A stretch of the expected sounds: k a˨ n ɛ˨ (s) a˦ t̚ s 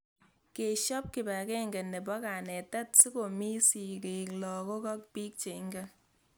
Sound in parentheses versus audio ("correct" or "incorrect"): incorrect